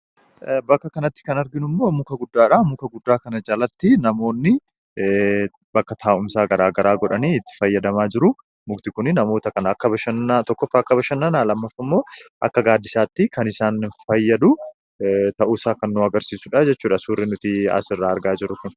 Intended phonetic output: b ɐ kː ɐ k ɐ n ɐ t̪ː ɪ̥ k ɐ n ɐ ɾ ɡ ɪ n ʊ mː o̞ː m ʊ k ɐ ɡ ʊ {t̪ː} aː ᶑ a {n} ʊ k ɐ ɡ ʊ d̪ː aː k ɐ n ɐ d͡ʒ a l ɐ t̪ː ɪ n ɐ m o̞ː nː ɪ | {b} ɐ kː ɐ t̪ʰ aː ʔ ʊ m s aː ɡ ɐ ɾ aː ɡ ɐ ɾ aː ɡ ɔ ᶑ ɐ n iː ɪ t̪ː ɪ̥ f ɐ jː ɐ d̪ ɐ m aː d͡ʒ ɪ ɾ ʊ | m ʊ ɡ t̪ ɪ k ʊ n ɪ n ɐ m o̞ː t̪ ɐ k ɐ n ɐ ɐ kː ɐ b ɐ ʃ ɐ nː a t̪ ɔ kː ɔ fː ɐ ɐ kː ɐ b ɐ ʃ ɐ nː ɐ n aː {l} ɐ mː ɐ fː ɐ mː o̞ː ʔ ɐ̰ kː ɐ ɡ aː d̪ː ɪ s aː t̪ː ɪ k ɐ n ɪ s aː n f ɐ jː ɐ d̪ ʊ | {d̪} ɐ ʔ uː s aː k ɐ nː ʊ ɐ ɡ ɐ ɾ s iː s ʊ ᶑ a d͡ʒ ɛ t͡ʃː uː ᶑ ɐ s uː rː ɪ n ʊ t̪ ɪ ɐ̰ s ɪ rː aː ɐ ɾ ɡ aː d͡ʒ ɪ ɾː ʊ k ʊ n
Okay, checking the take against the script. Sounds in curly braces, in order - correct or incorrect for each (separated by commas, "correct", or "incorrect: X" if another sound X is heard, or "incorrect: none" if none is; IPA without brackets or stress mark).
incorrect: d̪ː, incorrect: m, correct, correct, incorrect: t̪